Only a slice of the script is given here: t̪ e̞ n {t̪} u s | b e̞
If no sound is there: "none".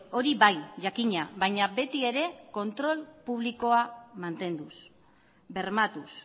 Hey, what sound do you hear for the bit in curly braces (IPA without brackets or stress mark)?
d̪